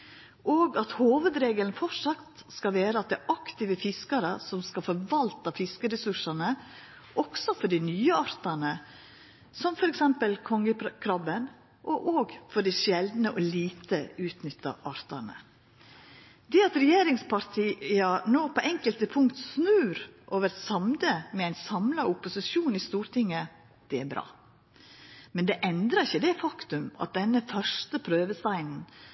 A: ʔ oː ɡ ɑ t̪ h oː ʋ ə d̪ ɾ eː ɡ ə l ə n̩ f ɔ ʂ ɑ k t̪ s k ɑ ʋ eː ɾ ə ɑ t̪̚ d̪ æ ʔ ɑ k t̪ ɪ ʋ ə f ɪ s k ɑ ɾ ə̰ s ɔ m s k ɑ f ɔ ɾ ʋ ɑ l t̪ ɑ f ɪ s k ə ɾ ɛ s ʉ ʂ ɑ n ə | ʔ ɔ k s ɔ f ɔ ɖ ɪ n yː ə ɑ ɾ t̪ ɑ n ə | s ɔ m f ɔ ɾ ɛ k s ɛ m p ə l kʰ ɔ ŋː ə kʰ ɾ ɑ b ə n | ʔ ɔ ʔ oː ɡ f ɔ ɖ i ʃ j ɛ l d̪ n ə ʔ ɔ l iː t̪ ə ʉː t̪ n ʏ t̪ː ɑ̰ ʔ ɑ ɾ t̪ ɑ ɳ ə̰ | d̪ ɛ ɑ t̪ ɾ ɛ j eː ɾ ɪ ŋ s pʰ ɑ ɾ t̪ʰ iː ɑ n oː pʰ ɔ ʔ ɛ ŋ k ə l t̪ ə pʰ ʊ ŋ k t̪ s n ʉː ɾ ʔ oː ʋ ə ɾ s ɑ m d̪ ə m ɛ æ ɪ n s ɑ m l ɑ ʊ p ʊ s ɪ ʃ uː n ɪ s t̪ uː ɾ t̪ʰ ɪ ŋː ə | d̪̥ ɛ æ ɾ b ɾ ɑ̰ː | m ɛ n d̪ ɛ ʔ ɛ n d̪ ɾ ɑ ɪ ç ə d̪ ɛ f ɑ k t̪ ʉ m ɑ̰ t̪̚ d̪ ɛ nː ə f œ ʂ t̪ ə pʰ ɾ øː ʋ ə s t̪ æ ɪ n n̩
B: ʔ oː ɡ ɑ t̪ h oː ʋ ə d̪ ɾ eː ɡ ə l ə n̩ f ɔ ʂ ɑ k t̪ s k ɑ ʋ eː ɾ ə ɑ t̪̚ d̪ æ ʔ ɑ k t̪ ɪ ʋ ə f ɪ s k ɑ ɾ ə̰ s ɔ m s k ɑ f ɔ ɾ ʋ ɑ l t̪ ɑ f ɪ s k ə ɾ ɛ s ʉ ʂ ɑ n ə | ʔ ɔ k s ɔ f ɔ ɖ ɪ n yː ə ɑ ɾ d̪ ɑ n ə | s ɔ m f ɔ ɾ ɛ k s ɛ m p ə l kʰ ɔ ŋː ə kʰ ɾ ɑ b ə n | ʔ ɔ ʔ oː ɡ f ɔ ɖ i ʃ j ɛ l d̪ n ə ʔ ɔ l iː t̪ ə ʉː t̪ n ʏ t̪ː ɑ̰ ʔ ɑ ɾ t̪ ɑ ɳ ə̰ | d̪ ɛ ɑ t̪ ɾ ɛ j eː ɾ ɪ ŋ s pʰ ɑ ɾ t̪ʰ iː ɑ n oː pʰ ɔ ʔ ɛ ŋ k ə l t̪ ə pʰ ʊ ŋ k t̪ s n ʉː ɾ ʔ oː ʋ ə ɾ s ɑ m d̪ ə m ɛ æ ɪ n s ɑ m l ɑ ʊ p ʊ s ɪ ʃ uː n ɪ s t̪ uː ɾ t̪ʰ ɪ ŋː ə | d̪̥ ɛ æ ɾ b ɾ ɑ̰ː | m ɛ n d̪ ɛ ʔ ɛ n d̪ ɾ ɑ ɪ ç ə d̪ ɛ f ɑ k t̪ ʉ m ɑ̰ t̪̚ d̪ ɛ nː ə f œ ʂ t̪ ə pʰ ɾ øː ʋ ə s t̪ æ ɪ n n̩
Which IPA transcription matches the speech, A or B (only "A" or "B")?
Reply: A